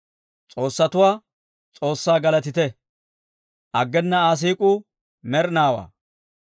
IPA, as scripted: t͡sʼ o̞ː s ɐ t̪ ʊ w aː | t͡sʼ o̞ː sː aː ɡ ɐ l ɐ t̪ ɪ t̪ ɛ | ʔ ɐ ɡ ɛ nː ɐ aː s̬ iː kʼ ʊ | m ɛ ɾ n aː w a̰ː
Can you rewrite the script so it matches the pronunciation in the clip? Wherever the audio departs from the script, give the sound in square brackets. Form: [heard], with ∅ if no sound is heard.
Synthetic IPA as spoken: t͡sʼ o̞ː [sː] ɐ t̪ ʊ w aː | t͡sʼ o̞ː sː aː ɡ ɐ l ɐ t̪ ɪ t̪ ɛ | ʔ ɐ [ɡː] ɛ nː ɐ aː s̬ iː kʼ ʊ | m ɛ ɾ n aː w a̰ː